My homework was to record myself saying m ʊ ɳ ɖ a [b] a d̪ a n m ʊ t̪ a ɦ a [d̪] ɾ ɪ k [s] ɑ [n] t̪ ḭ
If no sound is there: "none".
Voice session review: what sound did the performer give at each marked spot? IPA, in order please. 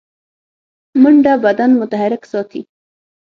b, none, s, none

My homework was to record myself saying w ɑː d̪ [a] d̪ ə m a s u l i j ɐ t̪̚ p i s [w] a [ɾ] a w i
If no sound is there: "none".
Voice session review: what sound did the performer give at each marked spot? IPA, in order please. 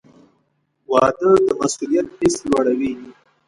ə, w, ɽ

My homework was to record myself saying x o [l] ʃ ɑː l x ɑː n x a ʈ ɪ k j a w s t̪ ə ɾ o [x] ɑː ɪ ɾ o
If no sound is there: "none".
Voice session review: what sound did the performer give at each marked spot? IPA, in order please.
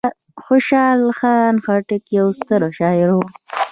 none, ʃ

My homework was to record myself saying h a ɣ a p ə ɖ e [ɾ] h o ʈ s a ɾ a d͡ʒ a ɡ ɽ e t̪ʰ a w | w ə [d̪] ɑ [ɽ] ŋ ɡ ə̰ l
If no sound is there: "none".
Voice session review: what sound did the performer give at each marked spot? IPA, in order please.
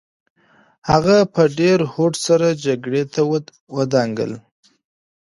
ɾ, d̪, none

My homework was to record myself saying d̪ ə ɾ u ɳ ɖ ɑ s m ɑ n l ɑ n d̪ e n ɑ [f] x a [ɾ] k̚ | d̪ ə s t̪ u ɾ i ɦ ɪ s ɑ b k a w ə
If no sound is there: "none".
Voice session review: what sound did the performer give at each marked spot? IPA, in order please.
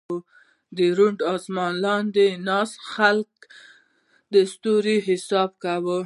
s, l

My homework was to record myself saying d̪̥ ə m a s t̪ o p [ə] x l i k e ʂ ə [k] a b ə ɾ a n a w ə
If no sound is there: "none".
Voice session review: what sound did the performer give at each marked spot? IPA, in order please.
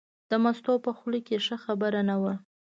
ə, x

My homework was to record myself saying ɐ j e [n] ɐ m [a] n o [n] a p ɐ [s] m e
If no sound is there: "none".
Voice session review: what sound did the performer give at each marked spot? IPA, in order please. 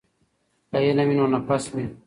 n, i, n, s

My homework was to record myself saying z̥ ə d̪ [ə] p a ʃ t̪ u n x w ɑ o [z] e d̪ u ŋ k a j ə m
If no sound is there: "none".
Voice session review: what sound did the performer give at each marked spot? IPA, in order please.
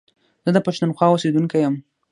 ə, s

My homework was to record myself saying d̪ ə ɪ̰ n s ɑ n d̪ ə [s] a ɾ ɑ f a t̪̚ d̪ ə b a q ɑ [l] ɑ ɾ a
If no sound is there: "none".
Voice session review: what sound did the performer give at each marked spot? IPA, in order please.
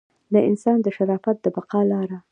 ʃ, l

